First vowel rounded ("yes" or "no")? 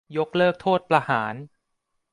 yes